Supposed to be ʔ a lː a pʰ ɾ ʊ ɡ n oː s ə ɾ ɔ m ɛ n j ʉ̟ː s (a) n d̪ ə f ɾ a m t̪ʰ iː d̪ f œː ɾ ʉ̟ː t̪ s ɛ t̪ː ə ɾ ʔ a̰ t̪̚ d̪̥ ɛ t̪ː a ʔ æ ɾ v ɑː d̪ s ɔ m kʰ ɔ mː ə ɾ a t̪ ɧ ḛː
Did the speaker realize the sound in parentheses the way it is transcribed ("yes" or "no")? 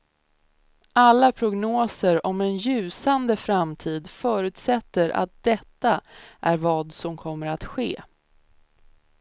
yes